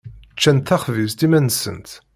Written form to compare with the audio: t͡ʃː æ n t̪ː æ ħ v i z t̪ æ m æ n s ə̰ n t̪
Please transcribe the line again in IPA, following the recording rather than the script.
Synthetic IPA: t͡ʃː æ n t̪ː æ χ v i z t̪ i m æ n s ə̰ n t̪

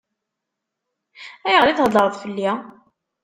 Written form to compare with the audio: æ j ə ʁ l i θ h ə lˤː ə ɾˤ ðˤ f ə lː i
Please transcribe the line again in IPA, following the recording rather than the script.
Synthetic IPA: æ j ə ʁ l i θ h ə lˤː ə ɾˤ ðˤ f ə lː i

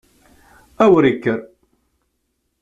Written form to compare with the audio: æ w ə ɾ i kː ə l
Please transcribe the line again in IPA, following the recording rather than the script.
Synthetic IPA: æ w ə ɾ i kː ə ɾ

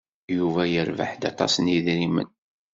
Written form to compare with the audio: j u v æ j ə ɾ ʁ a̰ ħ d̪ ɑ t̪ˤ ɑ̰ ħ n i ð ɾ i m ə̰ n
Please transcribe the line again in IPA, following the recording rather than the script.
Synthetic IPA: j u v æ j ə ɾ v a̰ ħ d̪ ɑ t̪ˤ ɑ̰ s n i ð ɾ i m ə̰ n

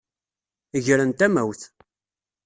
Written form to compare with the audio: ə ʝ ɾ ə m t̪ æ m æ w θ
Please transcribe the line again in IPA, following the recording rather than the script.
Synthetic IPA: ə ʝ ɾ ə n t̪ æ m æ w θ

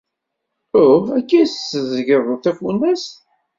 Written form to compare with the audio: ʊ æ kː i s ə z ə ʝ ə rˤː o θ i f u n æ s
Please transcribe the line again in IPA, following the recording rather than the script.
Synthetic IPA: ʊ æ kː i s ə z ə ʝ ə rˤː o θ æ f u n æ s

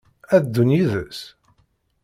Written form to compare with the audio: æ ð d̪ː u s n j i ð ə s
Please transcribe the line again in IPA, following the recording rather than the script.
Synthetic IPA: æ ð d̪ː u n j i ð ə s

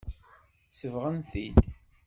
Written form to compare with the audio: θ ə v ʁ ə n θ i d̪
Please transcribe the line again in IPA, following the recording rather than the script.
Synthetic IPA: s ə v ʁ ə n θ i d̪

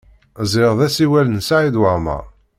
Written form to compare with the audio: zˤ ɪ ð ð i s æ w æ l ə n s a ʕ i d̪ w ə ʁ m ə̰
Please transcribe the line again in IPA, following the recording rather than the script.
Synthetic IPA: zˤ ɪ ʁ ð æ s i w æ l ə n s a ʕ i d̪ w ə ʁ m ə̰

